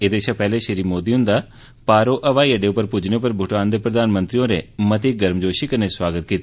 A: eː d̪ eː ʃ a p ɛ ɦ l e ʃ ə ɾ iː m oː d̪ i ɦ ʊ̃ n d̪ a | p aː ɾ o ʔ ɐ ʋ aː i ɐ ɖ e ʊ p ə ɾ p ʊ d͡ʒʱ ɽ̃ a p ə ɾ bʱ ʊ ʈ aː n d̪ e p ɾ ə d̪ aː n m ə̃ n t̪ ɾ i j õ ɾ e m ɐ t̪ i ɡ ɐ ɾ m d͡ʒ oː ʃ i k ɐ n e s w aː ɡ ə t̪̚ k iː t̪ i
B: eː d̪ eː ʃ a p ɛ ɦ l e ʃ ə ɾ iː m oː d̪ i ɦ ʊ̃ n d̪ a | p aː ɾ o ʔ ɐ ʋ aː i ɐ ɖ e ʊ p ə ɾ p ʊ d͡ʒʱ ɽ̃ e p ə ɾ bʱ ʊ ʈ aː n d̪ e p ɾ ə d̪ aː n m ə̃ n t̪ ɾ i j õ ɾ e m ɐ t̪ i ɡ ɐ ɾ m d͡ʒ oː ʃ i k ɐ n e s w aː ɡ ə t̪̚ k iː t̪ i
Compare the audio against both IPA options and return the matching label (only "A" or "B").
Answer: B